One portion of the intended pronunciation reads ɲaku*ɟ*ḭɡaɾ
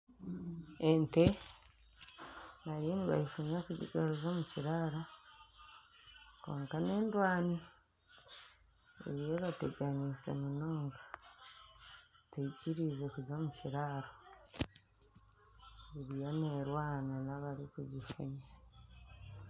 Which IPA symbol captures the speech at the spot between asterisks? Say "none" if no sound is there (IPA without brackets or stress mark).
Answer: ɟ